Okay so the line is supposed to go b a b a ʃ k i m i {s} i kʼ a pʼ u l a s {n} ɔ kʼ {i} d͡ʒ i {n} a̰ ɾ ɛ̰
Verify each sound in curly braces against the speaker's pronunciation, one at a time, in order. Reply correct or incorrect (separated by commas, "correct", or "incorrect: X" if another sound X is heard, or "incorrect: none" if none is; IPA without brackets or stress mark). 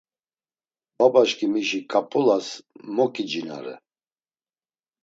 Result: incorrect: ʃ, incorrect: m, correct, correct